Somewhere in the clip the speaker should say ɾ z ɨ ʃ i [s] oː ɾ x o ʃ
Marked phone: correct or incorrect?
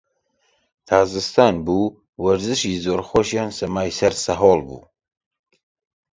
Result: incorrect